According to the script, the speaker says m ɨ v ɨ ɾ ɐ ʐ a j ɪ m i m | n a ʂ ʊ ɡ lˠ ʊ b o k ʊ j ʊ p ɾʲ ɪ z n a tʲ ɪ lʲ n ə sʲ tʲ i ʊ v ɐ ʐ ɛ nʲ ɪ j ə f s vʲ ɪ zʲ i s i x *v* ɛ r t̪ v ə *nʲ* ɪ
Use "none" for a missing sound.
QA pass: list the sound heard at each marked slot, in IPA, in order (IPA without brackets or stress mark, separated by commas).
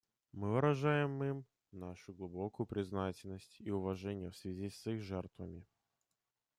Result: ʐ, mʲ